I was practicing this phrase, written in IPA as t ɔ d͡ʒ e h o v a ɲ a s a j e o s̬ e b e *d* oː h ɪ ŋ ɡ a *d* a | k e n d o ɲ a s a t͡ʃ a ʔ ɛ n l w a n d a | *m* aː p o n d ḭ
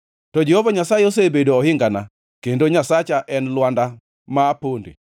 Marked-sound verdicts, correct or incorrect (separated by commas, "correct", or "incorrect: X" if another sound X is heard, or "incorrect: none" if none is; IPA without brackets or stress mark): correct, incorrect: n, correct